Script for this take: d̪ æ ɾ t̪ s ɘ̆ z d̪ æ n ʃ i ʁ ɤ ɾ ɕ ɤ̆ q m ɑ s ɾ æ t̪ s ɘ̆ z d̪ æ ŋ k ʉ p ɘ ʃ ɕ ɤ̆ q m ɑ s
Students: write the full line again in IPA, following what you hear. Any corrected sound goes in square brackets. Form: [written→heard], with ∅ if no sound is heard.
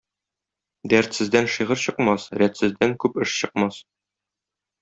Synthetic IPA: d̪ æ ɾ t̪ s ɘ̆ z d̪ æ n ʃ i ʁ ɤ ɾ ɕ ɤ̆ q m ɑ s ɾ æ t̪ s ɘ̆ z d̪ æ ŋ k ʉ p ɘ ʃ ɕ ɤ̆ q m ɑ s